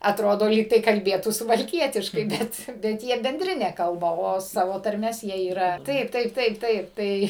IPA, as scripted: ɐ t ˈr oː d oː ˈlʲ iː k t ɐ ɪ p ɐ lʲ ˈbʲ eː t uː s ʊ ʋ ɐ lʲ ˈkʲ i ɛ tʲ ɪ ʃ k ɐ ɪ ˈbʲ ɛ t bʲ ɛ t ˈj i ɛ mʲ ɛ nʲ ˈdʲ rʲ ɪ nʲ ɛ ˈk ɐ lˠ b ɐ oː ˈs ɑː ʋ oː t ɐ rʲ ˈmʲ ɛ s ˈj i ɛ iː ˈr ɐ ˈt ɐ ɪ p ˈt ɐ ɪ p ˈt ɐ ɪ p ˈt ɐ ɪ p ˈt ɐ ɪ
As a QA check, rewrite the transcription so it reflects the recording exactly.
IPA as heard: ɐ t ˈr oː d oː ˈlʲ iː k t ɐ ɪ k ɐ lʲ ˈbʲ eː t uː s ʊ ʋ ɐ lʲ ˈkʲ i ɛ tʲ ɪ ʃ k ɐ ɪ ˈbʲ ɛ t bʲ ɛ t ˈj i ɛ bʲ ɛ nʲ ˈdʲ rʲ ɪ nʲ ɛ ˈk ɐ lˠ b ɐ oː ˈs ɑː ʋ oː t ɐ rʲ ˈmʲ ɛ s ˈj i ɛ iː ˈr ɐ ˈt ɐ ɪ p ˈt ɐ ɪ p ˈt ɐ ɪ p ˈt ɐ ɪ p ˈt ɐ ɪ

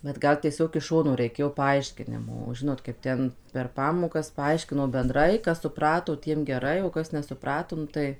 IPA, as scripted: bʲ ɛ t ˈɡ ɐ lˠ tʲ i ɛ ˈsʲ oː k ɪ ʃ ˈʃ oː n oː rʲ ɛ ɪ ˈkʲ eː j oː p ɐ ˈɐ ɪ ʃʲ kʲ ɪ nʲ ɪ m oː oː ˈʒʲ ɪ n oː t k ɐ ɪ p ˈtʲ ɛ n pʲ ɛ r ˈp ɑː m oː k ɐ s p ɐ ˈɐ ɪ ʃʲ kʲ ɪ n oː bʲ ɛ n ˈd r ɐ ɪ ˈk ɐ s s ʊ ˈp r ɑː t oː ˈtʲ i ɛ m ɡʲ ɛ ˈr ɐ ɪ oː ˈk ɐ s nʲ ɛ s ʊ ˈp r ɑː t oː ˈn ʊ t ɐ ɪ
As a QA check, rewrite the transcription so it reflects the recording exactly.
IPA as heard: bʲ ɛ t ˈɡ ɐ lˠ tʲ i ɛ ˈsʲ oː k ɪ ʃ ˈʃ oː n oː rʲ ɛ ɪ ˈkʲ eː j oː p ɐ ˈɐ ɪ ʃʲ kʲ ɪ nʲ ɪ m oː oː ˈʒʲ ɪ n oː t k ɐ ɪ p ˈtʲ ɛ n pʲ ɛ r ˈp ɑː m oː k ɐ s p ɐ ˈɐ ɪ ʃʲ kʲ ɪ n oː bʲ ɛ n ˈd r ɐ ɪ ˈk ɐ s s ʊ ˈp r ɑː t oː ˈtʲ i ɛ m ɡʲ ɛ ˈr ɐ ɪ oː ˈk ɐ s nʲ ɛ s ʊ ˈp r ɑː t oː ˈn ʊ t ɐ ɪ

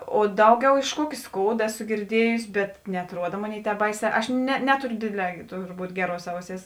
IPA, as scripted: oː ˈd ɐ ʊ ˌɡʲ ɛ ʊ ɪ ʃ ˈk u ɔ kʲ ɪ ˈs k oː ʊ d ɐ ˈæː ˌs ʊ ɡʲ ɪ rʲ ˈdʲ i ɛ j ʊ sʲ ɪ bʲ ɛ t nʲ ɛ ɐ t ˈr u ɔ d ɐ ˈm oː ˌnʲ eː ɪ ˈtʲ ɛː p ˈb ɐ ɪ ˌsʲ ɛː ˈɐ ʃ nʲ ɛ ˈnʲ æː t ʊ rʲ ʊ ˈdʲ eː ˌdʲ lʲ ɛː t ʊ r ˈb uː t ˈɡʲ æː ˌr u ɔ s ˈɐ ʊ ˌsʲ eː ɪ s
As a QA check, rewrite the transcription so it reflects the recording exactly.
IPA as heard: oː ˈd ɐ ʊ ˌɡʲ ɛ ʊ ɪ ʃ ˈk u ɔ kʲ ɪ ˈs k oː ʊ d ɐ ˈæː ˌs ʊ ɡʲ ɪ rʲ ˈdʲ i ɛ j ʊ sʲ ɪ bʲ ɛ t nʲ ɛ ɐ t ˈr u ɔ d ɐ ˈm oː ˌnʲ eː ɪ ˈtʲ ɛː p ˈb ɐ ɪ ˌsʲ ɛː ˈɐ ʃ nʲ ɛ ˈnʲ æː t ʊ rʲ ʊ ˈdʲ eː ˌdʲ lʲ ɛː t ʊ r ˈb uː t ˈɡʲ æː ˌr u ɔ s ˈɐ ʊ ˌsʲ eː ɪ s

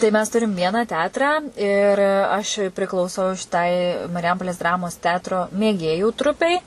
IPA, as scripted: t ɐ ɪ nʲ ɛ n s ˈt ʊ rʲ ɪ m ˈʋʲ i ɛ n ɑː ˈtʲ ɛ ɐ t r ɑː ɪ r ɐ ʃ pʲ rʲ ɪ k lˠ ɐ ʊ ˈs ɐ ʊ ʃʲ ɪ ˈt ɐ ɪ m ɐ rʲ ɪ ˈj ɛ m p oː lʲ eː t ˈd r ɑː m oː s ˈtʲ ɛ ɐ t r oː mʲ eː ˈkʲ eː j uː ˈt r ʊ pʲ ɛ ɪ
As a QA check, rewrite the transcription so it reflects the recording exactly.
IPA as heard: t ɐ ɪ mʲ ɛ s ˈt ʊ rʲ ɪ m ˈʋʲ i ɛ n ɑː ˈtʲ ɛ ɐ t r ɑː ɪ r ɐ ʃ pʲ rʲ ɪ k lˠ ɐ ʊ ˈs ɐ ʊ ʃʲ ɪ ˈt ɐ ɪ m ɐ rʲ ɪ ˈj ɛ m p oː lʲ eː s ˈd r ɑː m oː s ˈtʲ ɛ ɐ t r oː mʲ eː ˈɡʲ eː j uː ˈt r ʊ pʲ ɛ ɪ

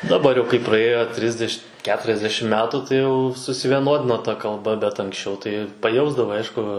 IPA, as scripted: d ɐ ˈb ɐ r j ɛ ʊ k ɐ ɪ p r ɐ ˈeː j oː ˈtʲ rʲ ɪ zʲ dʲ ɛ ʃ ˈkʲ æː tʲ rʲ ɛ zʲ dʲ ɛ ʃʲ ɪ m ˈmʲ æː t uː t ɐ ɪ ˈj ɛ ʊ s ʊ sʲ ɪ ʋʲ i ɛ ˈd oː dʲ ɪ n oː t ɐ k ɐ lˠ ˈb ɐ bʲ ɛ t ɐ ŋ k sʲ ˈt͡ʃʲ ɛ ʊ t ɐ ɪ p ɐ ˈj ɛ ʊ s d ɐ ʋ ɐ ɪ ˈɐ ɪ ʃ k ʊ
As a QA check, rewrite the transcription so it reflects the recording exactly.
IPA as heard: d ɐ ˈb ɐ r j ɛ ʊ k ɐ ɪ p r ɐ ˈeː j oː ˈtʲ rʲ ɪ zʲ dʲ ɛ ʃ ˈkʲ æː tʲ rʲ ɛ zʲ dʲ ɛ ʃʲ ɪ m ˈmʲ æː t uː t ɐ ɪ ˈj ɛ ʊ s ʊ sʲ ɪ ʋʲ i ɛ ˈn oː dʲ ɪ n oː t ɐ k ɐ lˠ ˈb ɐ bʲ ɛ t ɐ ŋ k sʲ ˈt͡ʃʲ ɛ ʊ t ɐ ɪ p ɐ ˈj ɛ ʊ z d ɐ ʋ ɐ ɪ ˈɐ ɪ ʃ k ʊ

